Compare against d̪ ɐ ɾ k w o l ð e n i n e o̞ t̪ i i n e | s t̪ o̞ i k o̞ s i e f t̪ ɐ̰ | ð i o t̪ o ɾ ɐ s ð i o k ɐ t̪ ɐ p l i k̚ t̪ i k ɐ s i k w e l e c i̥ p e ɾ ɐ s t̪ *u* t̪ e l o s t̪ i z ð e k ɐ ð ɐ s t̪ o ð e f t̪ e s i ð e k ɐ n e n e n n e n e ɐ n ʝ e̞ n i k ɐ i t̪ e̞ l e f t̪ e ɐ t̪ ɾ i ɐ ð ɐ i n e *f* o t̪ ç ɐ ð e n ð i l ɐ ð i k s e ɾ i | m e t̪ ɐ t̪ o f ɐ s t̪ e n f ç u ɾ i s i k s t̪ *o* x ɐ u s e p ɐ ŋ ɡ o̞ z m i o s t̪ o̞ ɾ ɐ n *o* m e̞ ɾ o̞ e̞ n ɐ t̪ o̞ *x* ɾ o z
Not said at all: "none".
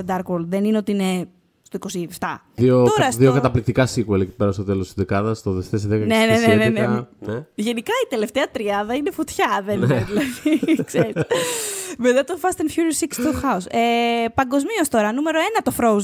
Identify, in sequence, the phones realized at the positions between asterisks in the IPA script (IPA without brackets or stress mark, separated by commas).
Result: o, f, o, u, f